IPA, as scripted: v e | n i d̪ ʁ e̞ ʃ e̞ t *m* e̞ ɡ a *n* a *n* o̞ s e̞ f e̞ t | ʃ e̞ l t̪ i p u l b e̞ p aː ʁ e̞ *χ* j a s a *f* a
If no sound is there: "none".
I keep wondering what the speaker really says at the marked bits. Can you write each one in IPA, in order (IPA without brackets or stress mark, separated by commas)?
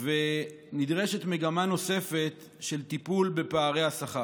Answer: m, m, n, none, χ